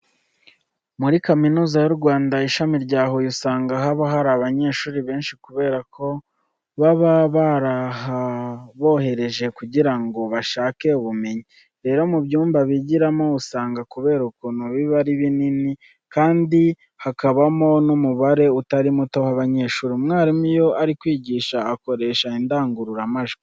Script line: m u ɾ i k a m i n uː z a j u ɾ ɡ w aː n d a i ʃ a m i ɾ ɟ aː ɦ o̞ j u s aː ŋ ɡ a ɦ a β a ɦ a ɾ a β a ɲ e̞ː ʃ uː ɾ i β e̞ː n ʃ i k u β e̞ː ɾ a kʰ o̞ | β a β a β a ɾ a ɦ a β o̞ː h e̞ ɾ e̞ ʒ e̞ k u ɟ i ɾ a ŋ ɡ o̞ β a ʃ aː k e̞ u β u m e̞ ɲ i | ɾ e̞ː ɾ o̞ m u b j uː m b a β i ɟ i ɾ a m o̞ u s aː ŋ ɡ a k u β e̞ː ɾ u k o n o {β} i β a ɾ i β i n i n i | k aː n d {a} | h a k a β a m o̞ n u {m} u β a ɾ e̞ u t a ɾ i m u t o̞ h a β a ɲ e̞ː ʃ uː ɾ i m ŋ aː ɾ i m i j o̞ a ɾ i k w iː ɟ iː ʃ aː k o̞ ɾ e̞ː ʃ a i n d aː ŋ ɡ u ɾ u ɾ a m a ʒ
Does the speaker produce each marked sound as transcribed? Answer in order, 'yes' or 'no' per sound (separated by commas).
yes, no, yes